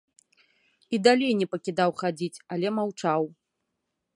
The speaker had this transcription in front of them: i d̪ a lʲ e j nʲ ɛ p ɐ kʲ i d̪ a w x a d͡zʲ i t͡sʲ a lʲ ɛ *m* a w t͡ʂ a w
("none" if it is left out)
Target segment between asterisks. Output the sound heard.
m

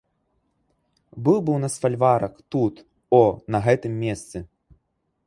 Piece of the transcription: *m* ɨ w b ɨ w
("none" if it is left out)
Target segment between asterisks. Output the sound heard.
b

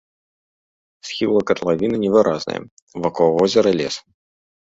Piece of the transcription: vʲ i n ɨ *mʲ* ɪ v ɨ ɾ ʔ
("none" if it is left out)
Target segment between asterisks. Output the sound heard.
nʲ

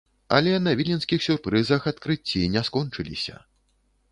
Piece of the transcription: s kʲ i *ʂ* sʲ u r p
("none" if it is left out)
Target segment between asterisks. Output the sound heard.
x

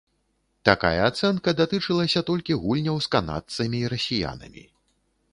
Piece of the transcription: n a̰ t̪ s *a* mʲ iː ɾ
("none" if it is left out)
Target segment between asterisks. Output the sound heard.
ɐ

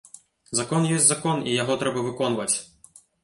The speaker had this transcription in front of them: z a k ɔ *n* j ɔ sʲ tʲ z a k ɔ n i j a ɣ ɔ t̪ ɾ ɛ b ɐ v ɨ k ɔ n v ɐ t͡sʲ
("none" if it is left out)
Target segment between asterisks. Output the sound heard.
n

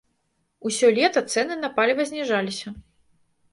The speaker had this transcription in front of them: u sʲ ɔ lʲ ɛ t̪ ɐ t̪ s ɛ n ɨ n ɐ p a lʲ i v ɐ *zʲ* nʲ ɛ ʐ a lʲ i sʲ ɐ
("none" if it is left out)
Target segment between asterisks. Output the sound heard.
zʲ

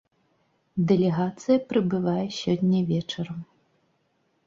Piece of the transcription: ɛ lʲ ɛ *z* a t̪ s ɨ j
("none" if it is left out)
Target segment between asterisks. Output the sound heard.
ɣ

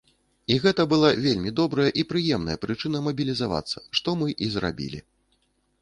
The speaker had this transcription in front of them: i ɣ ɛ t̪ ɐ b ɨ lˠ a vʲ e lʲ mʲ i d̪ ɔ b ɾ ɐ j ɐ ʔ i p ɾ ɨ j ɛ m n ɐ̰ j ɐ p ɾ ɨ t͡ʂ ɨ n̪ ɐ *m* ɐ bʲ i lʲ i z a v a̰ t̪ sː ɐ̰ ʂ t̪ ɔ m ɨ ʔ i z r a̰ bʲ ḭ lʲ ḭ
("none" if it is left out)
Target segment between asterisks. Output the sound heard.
m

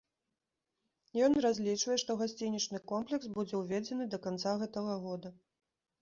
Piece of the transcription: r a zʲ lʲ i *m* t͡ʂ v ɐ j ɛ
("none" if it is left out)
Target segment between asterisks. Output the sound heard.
none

